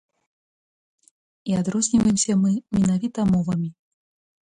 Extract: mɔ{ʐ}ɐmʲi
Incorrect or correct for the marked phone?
incorrect: v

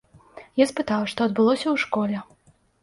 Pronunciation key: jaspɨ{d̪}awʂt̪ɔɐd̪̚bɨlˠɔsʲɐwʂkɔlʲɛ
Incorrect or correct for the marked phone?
incorrect: t̪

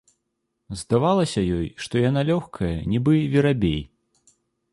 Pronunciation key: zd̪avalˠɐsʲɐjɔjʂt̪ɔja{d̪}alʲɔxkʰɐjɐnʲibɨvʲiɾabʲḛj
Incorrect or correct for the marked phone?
incorrect: n̪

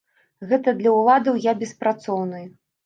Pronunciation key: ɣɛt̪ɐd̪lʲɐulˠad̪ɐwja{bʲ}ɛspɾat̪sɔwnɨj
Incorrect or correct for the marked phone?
correct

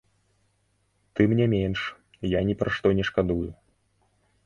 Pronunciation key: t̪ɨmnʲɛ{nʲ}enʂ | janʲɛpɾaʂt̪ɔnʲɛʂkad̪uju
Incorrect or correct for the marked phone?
incorrect: mʲ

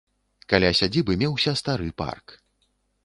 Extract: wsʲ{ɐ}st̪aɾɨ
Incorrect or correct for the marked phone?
correct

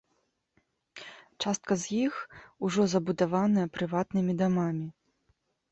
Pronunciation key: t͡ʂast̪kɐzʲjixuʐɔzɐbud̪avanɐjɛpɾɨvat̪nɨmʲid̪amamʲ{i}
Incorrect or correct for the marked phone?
correct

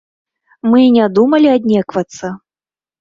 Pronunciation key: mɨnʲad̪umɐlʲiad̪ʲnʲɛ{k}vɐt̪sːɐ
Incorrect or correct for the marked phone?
correct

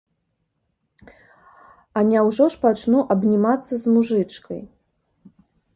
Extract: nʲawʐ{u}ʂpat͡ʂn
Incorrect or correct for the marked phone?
incorrect: ɔ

